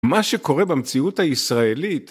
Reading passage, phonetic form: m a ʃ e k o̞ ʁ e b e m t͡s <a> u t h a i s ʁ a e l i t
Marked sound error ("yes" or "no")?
yes